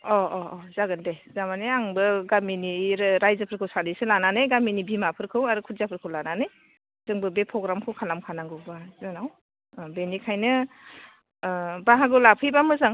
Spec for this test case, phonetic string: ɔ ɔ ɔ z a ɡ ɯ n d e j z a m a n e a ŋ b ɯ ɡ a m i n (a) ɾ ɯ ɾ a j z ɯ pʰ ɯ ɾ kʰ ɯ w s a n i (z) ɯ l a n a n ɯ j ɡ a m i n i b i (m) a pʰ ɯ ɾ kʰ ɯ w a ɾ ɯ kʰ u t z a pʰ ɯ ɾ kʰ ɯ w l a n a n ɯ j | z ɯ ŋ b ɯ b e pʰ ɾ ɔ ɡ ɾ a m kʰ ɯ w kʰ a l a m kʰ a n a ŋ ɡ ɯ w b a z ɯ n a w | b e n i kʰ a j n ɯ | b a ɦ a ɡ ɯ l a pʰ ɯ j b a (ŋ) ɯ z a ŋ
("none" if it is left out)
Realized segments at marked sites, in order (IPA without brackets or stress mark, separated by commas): i, s, m, m